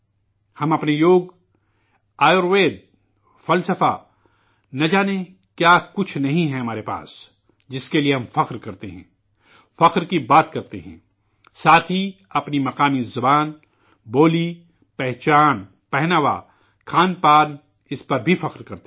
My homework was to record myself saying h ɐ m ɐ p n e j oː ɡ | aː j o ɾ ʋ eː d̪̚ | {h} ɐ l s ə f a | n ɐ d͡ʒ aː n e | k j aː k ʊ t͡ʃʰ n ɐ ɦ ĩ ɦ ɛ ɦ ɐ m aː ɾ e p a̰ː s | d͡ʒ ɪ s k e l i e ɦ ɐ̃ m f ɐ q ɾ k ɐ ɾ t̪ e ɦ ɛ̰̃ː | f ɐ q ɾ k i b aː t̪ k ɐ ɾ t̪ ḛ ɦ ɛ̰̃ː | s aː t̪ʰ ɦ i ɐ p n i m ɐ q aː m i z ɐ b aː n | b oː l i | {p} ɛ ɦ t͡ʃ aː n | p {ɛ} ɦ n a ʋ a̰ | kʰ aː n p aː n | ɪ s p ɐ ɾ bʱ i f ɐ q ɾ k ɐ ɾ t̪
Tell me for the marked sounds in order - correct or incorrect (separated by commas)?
incorrect, correct, correct